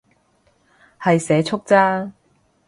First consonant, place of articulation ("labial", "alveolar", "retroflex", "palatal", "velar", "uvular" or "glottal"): glottal